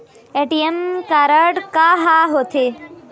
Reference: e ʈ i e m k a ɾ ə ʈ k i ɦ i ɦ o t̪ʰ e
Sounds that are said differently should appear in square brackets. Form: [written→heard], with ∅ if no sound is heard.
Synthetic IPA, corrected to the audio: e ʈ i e m k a ɾ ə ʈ k [i→a] ɦ [i→a] ɦ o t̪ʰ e